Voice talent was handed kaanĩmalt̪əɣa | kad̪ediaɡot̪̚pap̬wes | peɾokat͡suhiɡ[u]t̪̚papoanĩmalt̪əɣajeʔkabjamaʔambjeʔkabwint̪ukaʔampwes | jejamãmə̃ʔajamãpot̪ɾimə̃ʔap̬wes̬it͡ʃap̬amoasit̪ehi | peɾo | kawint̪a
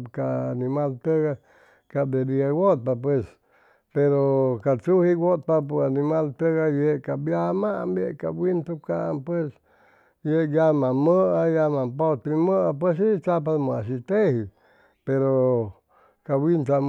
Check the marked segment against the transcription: incorrect: o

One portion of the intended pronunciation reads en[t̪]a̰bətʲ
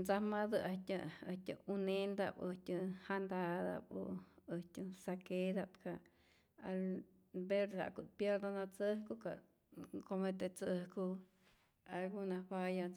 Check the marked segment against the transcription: incorrect: d̪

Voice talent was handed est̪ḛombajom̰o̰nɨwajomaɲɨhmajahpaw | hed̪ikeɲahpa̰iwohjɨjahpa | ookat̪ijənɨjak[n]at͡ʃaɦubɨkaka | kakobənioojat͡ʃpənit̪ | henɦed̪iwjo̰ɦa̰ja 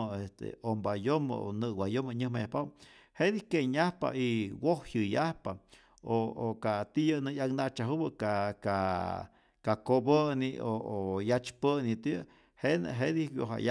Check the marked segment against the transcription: correct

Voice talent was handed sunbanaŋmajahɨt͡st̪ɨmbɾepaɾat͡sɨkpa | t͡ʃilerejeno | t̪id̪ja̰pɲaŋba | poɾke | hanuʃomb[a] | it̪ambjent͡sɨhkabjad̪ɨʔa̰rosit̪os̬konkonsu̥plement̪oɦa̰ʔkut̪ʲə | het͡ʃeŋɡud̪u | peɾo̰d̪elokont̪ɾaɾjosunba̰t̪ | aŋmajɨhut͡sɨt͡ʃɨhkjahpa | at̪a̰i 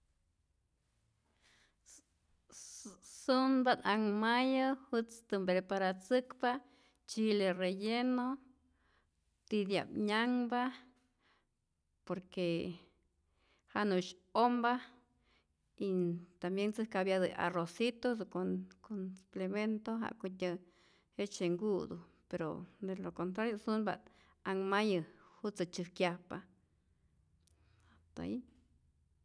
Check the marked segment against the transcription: correct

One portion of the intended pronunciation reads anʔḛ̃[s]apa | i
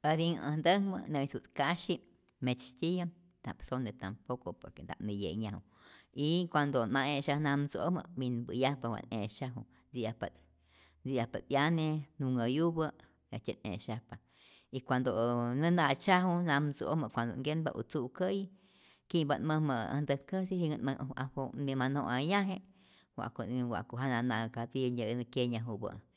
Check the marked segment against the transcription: incorrect: ʃ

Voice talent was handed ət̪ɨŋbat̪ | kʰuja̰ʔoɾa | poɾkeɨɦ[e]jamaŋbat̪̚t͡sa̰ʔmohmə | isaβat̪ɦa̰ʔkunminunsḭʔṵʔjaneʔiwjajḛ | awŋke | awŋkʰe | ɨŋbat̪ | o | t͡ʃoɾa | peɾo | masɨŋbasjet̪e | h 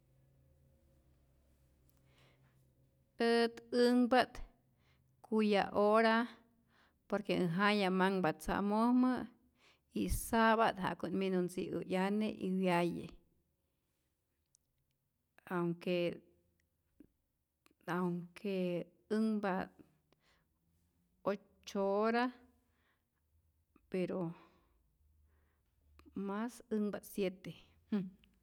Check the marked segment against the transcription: incorrect: a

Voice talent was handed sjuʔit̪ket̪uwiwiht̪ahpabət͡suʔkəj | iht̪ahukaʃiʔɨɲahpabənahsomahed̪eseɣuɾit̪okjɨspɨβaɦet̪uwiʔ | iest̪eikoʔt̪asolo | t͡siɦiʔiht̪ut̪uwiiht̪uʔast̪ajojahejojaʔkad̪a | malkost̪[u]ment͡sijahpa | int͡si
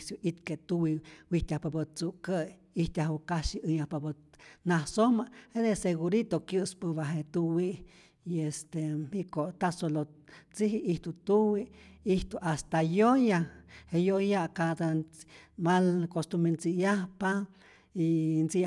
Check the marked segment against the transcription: correct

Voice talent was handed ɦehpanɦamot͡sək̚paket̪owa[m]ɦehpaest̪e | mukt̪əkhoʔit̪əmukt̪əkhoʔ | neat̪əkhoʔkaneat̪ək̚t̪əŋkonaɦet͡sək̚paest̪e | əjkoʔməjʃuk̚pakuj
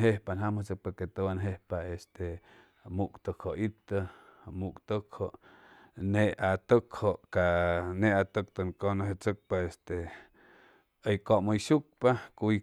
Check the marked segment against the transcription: incorrect: n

